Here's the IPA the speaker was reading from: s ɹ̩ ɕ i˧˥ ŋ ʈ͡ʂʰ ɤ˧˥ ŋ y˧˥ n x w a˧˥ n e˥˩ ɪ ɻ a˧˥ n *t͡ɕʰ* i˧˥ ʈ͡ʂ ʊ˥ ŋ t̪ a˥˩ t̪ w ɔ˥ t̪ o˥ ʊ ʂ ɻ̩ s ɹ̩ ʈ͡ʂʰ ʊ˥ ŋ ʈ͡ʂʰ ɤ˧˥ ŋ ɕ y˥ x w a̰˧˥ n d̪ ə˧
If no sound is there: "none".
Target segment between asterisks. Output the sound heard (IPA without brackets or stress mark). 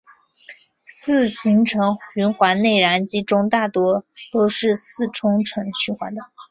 t͡ɕ